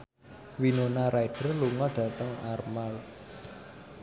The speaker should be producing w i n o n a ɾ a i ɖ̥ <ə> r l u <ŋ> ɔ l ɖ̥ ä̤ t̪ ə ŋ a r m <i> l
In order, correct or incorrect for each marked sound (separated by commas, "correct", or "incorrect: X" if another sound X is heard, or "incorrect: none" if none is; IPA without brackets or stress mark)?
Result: correct, correct, incorrect: a